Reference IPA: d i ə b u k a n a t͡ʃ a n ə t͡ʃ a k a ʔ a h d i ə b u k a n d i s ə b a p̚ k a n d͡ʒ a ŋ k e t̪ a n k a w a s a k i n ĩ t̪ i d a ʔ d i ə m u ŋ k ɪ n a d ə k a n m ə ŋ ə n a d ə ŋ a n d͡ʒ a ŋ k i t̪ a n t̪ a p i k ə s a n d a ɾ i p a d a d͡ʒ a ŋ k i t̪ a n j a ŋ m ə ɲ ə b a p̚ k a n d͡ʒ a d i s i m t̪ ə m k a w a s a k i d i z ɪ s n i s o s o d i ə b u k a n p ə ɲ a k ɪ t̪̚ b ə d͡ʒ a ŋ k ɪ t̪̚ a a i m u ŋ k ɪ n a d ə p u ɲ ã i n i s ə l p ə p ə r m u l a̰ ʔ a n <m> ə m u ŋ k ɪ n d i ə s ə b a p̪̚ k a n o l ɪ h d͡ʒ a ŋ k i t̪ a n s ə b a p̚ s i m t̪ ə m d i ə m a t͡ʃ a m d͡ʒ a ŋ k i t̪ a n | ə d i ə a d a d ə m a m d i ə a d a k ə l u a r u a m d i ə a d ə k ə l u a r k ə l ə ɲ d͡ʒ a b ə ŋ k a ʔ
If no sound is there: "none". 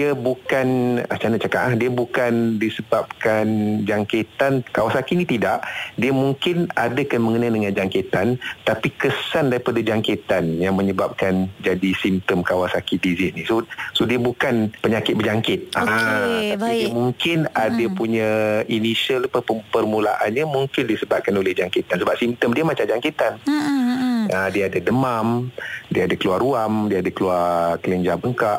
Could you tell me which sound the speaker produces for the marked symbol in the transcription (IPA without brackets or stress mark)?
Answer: ɲ